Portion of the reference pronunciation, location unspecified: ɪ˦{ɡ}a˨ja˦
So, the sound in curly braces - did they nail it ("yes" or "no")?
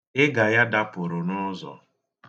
yes